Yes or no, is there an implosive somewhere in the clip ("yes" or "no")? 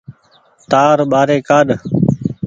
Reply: yes